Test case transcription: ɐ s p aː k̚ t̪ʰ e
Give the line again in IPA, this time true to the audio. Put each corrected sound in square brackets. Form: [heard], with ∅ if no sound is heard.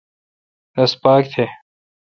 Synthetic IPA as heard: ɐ s p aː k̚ t̪ʰ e